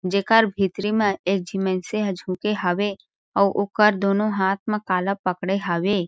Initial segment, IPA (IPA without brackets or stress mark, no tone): d͡ʒ